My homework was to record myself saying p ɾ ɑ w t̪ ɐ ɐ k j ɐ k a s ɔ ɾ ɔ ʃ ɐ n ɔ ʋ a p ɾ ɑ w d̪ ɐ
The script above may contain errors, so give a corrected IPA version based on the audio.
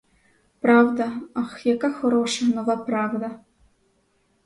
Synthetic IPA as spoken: p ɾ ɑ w d̪ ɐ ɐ x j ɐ k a x ɔ ɾ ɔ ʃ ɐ n ɔ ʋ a p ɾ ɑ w d̪ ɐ